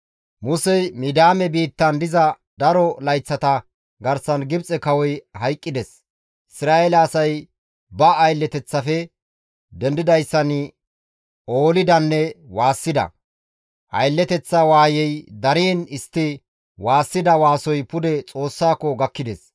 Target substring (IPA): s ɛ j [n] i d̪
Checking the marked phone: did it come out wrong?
yes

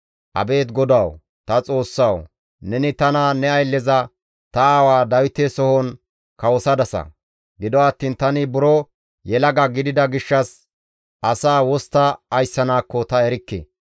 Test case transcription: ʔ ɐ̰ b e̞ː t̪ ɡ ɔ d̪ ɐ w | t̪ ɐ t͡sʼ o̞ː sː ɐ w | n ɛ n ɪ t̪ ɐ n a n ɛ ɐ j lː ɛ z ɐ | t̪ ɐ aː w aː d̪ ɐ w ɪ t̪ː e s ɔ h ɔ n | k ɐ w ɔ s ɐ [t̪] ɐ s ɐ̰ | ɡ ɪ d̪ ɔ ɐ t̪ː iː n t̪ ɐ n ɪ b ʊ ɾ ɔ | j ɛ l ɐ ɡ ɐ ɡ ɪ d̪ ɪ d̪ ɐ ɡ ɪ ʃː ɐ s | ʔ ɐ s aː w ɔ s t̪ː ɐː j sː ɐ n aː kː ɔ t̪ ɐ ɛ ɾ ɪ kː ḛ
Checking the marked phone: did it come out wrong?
yes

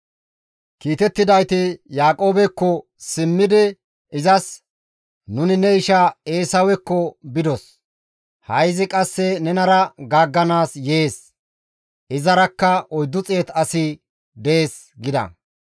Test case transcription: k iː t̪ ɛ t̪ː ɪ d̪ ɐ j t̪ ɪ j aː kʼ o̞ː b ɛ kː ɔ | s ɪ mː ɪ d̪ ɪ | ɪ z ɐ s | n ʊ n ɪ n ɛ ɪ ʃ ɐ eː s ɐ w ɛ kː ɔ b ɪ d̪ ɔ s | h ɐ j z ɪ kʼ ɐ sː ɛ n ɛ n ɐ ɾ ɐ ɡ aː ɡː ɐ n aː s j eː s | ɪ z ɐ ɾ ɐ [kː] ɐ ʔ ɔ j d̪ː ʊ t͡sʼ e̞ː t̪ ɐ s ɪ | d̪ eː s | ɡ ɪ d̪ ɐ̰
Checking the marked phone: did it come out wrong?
no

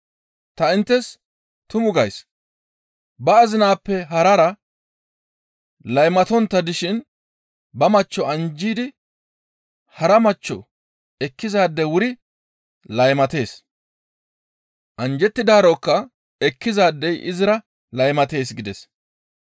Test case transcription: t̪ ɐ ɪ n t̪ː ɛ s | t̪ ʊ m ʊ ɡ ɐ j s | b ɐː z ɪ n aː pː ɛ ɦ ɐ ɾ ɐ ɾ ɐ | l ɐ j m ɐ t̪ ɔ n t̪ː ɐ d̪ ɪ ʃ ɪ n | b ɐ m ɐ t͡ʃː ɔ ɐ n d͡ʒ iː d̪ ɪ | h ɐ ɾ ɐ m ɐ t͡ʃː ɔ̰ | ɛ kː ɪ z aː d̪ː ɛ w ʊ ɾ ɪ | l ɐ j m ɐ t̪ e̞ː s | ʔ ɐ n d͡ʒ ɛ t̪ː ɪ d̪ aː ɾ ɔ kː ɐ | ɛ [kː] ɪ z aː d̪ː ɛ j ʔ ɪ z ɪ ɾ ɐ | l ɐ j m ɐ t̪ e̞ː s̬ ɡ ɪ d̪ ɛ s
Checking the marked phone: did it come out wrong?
no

